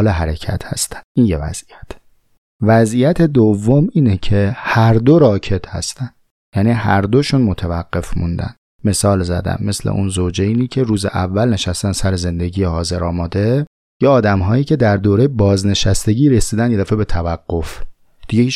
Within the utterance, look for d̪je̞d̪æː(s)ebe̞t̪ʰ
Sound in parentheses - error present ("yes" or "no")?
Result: yes